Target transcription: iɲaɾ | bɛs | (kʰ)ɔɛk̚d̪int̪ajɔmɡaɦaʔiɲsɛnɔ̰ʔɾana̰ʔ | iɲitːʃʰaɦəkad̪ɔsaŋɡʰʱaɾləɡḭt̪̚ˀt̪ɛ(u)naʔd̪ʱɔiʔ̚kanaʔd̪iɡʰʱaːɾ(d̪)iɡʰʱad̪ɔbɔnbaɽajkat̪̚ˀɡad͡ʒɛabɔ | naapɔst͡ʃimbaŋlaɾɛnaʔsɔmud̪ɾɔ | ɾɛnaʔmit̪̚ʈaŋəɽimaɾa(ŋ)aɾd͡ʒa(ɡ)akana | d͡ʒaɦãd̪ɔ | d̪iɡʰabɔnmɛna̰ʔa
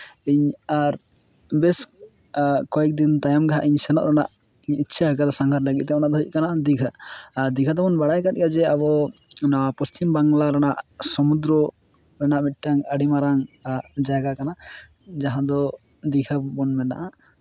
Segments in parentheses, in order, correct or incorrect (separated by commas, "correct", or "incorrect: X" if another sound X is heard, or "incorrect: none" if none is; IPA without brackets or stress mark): incorrect: k, incorrect: ɔ, correct, correct, correct